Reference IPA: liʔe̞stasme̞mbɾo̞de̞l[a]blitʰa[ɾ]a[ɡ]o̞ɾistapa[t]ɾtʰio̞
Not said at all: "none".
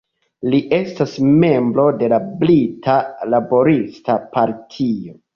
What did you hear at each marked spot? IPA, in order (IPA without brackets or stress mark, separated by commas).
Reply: a, l, b, none